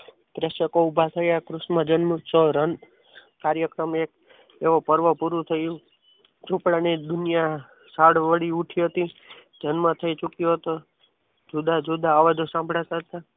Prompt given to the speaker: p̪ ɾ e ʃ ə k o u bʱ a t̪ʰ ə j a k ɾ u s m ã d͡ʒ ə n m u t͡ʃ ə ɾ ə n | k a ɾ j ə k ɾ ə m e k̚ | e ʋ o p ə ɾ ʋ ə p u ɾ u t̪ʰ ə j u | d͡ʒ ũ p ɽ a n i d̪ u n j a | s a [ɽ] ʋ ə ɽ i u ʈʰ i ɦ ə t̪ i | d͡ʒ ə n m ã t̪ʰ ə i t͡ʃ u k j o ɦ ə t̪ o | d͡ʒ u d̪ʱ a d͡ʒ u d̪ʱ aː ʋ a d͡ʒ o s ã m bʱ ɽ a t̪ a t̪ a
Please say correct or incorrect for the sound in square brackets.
correct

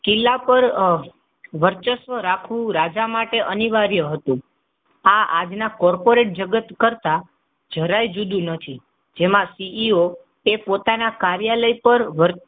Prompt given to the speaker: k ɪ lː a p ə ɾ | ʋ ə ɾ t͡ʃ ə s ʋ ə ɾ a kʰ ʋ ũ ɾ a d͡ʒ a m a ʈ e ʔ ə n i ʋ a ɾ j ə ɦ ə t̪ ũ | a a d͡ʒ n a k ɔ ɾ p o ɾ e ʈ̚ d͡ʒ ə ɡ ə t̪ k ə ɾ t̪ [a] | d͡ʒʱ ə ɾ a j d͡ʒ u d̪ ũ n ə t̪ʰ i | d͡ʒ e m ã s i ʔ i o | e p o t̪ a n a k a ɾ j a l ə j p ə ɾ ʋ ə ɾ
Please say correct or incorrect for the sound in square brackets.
correct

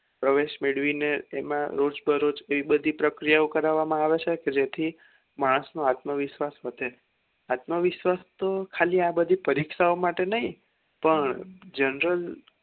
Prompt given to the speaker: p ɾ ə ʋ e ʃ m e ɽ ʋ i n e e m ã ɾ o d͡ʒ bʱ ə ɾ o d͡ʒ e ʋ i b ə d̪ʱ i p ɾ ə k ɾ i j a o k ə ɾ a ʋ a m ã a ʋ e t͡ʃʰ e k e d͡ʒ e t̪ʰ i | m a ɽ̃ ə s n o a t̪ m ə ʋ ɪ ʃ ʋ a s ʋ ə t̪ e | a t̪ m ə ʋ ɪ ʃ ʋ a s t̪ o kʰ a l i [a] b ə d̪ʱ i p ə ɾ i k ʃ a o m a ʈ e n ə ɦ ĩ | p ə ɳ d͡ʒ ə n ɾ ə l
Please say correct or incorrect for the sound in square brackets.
correct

